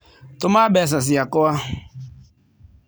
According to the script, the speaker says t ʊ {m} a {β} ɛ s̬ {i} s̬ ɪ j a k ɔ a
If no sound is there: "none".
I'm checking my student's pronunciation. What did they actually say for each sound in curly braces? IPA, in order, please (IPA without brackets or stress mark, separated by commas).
m, b, a